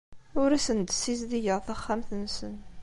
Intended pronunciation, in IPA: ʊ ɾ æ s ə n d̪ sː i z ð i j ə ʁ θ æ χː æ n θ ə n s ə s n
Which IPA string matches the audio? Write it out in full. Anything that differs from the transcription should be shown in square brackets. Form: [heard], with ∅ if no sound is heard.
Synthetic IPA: ʊ ɾ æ s ə n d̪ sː i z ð i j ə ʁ θ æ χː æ [m] θ ə n s ə [∅] n